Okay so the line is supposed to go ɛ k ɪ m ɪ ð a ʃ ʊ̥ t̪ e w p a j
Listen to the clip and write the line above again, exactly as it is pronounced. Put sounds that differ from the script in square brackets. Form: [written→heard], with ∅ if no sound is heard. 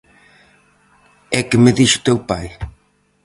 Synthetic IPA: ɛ k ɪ m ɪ ð [a→i] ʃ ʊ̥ t̪ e w p a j

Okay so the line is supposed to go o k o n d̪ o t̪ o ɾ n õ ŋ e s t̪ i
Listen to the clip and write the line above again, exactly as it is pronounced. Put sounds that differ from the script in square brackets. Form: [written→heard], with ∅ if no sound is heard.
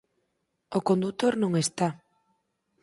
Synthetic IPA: o k o n d̪ [o→u] t̪ o ɾ n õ ŋ e s t̪ [i→a]

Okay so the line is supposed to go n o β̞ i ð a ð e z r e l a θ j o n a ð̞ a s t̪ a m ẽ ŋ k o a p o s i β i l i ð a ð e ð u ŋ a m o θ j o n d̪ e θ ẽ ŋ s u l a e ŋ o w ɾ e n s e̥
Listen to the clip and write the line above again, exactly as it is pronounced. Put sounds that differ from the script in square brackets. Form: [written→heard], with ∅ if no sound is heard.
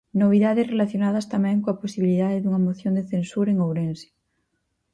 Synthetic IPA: n o β̞ i ð a ð e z r e l a θ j o n a ð̞ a s t̪ a m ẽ ŋ k o a p o s i β i l i ð a ð e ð u ŋ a m o θ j o n d̪ e θ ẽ [ŋ→n] s u [l→ɾ] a e ŋ o w ɾ e n s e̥

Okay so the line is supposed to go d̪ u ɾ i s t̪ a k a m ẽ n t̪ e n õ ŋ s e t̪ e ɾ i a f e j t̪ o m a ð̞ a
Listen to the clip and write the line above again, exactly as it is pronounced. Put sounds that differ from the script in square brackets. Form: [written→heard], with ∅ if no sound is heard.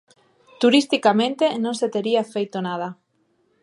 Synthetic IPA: [d̪→t̪] u ɾ i s t̪ [a→i] k a m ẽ n t̪ e n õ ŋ s e t̪ e ɾ i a f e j t̪ o [m→n] a ð̞ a

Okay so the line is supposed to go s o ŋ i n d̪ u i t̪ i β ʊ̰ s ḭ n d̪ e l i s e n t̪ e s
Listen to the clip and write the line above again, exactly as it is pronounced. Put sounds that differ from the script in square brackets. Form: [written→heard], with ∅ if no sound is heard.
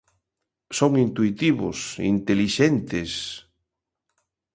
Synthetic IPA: s o ŋ i n [d̪→t̪] u i t̪ i β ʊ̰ s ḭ n [d̪→t̪] e l i [s→ʃ] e n t̪ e s

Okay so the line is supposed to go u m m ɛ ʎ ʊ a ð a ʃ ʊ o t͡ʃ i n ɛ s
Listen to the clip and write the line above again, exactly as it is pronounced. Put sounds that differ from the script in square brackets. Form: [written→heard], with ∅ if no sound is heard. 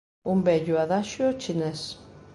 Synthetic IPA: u m [m→b] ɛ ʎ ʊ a ð a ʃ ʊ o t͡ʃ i n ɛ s

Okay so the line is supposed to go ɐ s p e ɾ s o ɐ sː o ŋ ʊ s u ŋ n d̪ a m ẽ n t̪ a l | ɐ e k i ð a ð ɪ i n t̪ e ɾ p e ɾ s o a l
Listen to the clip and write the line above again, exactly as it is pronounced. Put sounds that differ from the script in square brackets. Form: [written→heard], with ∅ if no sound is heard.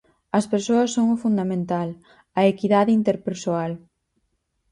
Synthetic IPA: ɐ s p e ɾ s o ɐ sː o ŋ ʊ [s→f] u [ŋ→∅] n d̪ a m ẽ n t̪ a l | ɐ e k i ð a ð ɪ i n t̪ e ɾ p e ɾ s o a l

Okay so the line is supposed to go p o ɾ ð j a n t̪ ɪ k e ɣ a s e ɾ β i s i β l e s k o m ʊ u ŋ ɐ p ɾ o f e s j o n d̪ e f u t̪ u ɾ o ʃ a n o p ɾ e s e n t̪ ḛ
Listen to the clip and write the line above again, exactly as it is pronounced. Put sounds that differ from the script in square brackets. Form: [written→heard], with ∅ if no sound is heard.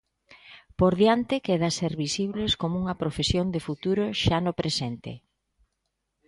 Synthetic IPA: p o ɾ ð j a n t̪ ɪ k e [ɣ→ð] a s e ɾ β i s i β l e s k o m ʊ u ŋ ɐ p ɾ o f e s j o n d̪ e f u t̪ u ɾ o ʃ a n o p ɾ e s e n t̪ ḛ

